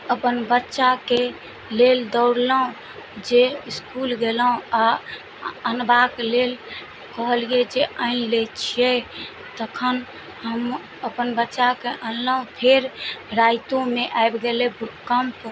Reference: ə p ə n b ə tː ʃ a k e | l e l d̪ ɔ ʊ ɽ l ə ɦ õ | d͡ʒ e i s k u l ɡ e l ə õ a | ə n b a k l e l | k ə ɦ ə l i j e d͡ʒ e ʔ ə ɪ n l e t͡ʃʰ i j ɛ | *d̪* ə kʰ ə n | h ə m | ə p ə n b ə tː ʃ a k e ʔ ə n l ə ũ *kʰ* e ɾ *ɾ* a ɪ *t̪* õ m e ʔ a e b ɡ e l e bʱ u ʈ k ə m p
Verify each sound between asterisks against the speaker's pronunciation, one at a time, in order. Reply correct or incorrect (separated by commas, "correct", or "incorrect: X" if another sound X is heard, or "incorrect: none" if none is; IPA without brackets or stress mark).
incorrect: t̪, incorrect: pʰ, correct, correct